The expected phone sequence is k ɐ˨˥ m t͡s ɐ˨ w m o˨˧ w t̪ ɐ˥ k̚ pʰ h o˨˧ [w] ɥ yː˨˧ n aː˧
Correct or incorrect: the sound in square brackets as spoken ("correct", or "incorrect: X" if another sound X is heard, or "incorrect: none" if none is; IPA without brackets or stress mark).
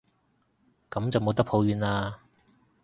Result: correct